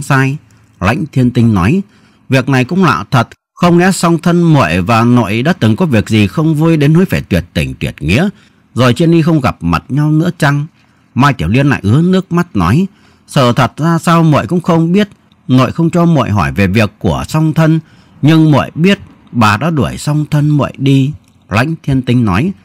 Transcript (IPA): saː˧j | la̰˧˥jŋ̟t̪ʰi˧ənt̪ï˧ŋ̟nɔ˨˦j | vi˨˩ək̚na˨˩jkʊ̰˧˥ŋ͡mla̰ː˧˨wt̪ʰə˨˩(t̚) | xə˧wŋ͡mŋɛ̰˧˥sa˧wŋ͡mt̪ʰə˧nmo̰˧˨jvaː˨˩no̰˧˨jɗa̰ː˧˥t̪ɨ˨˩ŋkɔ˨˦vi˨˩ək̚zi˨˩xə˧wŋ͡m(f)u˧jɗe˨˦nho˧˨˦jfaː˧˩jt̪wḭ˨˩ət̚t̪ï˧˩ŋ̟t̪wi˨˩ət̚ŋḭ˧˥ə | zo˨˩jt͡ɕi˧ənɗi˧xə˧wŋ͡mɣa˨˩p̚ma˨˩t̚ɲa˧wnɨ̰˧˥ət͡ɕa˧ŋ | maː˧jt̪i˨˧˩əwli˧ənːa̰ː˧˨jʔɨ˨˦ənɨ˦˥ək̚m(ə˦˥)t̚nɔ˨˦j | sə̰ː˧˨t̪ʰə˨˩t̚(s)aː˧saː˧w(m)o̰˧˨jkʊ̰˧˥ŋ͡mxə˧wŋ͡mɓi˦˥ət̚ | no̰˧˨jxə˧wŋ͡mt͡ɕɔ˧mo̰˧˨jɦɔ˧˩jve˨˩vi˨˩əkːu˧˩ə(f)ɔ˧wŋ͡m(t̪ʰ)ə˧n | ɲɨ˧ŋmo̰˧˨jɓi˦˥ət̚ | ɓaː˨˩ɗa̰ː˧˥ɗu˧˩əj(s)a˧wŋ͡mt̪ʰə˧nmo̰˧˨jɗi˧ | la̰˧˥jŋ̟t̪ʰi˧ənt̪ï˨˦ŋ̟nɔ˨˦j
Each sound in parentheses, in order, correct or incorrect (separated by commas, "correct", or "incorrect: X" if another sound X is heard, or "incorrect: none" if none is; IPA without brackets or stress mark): correct, incorrect: v, incorrect: a˦˥, incorrect: z, correct, incorrect: s, correct, correct